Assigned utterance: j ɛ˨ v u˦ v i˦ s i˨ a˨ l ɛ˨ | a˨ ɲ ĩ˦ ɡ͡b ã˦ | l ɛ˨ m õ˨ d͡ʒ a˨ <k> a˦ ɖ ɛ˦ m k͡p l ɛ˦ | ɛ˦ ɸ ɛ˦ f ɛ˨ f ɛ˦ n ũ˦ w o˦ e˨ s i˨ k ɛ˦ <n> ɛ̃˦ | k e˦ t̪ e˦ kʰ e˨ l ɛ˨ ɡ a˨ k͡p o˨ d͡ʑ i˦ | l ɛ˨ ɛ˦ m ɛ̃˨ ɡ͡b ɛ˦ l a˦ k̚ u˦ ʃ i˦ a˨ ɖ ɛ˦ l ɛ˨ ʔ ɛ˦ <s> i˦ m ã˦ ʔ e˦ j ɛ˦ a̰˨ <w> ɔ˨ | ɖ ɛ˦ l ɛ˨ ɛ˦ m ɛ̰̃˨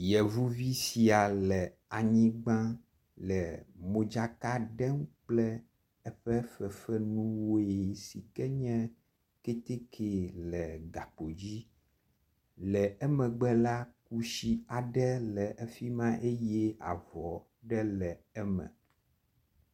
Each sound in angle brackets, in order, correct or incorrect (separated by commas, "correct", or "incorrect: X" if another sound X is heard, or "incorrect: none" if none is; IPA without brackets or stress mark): correct, incorrect: ɲ, incorrect: f, incorrect: v